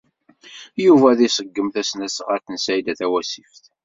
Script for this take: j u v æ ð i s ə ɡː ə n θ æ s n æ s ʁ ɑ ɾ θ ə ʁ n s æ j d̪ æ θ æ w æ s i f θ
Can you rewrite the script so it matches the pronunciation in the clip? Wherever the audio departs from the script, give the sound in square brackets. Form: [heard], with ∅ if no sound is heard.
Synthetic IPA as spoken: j u v æ ð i s ə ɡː ə [m] θ æ s n æ s ʁ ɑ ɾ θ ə [∅] n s æ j d̪ æ θ æ w æ s i f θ